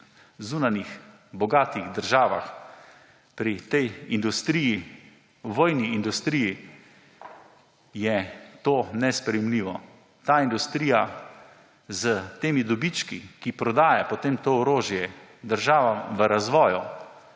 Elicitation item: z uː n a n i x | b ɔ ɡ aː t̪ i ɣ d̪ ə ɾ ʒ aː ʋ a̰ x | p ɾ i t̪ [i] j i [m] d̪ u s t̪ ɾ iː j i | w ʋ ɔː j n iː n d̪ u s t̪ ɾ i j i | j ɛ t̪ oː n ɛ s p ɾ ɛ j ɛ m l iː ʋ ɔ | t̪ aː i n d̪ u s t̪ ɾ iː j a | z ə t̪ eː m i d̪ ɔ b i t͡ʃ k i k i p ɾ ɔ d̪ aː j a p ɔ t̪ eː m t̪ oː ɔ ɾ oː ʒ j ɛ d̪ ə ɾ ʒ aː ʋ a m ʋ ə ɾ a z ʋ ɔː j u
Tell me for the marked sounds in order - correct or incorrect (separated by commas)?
incorrect, incorrect